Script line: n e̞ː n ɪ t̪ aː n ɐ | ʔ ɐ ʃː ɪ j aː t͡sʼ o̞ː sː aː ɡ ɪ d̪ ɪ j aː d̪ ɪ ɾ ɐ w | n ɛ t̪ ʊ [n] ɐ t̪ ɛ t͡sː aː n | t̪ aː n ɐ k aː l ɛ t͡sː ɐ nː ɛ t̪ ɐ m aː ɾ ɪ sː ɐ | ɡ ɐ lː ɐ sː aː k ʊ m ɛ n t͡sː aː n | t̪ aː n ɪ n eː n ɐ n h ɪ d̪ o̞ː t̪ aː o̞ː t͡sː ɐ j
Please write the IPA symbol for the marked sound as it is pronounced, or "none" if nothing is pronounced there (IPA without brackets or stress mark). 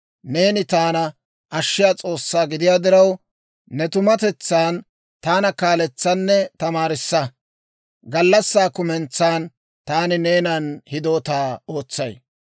m